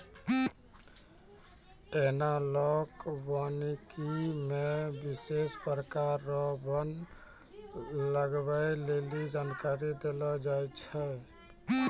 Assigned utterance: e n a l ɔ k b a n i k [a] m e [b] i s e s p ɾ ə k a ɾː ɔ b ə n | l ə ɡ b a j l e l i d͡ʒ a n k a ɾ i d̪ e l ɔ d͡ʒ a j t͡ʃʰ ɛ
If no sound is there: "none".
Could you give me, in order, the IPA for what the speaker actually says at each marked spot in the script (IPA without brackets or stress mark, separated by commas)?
i, b